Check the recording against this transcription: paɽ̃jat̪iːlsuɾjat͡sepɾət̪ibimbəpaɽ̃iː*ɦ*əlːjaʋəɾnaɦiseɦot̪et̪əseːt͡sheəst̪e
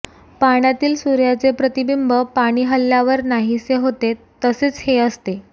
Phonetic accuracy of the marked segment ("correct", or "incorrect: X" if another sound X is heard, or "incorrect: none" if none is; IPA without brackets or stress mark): correct